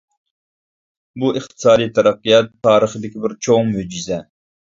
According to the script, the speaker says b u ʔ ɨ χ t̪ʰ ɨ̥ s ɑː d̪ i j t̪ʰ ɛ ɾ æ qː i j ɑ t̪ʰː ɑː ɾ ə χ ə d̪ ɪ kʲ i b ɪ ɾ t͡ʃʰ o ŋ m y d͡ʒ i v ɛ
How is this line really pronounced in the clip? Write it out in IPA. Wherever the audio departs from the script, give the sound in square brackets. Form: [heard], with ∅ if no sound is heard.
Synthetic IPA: b u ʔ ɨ χ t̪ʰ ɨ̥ s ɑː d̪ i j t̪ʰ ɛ ɾ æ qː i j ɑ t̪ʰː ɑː ɾ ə χ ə d̪ ɪ kʲ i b ɪ ɾ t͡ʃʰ o ŋ m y d͡ʒ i [z] ɛ